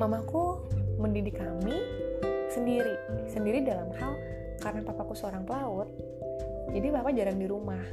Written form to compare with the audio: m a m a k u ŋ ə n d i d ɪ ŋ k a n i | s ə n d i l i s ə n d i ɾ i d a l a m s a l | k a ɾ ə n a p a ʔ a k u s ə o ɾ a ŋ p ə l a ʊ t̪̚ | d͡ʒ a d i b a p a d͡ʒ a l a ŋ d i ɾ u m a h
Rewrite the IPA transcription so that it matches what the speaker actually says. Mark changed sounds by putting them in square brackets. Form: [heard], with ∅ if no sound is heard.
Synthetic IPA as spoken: m a m a k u [m] ə n d i d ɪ [∅] k a [m] i | s ə n d i [ɾ] i s ə n d i ɾ i d a l a m [h] a l | k a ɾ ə n a p a [p] a k u s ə o ɾ a ŋ p ə l a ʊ t̪̚ | d͡ʒ a d i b a p a d͡ʒ a [ɾ] a ŋ d i ɾ u m a h